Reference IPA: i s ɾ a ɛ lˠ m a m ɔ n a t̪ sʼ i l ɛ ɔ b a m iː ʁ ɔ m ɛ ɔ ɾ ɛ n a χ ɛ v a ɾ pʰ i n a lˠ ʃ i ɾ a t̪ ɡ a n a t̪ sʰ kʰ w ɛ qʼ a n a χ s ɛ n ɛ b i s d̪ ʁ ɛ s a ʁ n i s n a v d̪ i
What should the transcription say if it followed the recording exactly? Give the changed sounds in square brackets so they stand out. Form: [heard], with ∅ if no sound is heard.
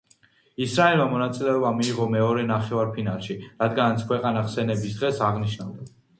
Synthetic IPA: i s ɾ a ɛ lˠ m a m ɔ n a t̪ sʼ i l ɛ ɔ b a m iː ʁ ɔ m ɛ ɔ ɾ ɛ n a χ ɛ v a ɾ pʰ i n a lˠ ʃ i ɾ a [d̪] ɡ a n a t̪ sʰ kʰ w ɛ qʼ a n a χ s ɛ n ɛ b i s d̪ ʁ ɛ s a ʁ n i [ʃ] n a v d̪ [a]